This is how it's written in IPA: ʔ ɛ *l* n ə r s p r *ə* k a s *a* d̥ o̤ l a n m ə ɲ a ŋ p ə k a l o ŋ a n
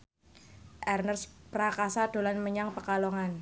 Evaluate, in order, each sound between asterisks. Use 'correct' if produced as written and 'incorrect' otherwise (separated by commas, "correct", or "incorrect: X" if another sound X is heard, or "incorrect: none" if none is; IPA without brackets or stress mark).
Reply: incorrect: r, incorrect: a, correct